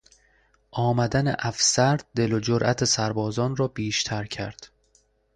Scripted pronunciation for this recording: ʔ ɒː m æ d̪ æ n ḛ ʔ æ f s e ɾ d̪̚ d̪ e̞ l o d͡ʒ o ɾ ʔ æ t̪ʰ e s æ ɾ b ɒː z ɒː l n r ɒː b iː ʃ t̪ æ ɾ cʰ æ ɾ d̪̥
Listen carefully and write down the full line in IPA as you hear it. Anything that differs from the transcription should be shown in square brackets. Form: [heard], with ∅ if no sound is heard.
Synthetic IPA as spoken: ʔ ɒː m æ d̪ æ n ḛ ʔ æ f s [æ] ɾ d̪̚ d̪ e̞ l o d͡ʒ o ɾ ʔ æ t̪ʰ e s æ ɾ b ɒː z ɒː [∅] n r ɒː b iː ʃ [t̪ʰ] æ ɾ cʰ æ ɾ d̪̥